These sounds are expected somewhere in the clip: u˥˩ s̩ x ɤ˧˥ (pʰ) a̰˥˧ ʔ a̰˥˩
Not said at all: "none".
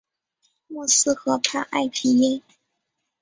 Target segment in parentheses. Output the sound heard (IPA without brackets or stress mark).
pʰ